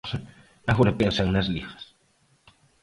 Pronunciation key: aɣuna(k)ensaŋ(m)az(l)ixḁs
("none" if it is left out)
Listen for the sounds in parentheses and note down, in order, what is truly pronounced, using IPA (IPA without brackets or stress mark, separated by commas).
p, n, l